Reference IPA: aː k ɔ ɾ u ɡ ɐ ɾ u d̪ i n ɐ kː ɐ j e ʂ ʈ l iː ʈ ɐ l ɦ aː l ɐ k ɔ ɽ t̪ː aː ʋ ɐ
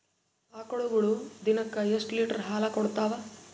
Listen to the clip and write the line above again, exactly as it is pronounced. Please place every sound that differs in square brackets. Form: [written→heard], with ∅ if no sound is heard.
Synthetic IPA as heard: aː k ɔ [ɾ→ɭ] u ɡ ɐ [ɾ→ɭ] u d̪ i n ɐ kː ɐ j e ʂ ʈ l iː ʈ ɐ [l→ɾ] ɦ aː l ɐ k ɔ ɽ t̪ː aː ʋ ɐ